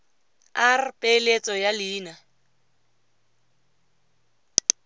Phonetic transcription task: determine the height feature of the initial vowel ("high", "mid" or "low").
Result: low